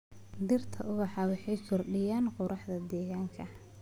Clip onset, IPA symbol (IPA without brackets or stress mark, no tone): d̪